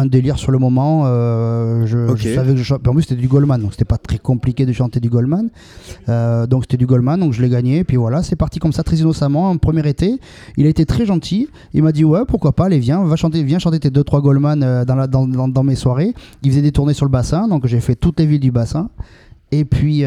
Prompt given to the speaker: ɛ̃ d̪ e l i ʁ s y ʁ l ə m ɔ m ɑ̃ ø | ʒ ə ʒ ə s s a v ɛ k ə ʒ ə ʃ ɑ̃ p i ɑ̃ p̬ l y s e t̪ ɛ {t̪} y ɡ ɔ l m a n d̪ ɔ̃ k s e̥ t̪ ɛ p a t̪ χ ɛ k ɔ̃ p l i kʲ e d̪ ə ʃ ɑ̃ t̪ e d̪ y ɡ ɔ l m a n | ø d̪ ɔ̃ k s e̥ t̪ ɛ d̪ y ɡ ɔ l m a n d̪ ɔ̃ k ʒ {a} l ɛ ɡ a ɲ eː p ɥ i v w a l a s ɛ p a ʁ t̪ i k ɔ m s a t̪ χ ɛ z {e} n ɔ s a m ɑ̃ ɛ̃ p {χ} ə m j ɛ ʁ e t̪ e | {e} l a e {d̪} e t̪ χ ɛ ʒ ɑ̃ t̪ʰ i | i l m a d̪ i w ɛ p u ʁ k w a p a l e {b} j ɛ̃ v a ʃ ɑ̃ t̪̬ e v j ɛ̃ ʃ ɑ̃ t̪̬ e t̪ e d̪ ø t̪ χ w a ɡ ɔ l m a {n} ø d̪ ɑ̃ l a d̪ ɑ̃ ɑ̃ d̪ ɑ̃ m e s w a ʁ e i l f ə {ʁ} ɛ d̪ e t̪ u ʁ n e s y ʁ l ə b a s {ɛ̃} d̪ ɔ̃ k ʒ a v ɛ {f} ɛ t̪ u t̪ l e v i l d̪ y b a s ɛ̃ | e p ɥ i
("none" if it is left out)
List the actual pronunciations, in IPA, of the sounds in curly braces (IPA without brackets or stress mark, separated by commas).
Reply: d̪, ə, i, χ, i, t̪, v, n, z, ɛ̃, f